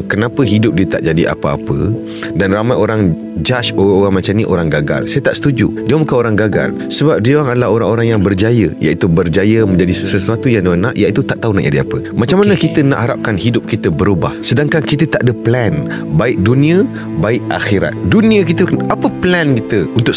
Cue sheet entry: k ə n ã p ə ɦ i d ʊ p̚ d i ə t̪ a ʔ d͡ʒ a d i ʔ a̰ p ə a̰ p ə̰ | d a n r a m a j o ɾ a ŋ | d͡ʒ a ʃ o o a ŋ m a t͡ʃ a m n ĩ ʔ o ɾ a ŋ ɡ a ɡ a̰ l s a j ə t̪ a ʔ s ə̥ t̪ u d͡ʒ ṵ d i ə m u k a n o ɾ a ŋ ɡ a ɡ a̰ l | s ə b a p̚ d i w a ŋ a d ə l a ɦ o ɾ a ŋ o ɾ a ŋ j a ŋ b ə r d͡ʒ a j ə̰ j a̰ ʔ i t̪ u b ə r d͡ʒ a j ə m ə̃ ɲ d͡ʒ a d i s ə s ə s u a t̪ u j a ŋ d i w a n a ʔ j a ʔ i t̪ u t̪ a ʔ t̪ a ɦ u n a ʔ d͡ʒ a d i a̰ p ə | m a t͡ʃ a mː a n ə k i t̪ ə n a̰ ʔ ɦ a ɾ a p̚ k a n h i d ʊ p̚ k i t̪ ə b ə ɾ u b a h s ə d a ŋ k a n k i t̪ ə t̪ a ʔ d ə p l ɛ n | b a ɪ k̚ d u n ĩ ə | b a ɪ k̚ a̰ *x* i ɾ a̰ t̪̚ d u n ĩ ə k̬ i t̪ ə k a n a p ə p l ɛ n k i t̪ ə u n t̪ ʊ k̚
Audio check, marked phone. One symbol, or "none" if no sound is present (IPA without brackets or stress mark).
x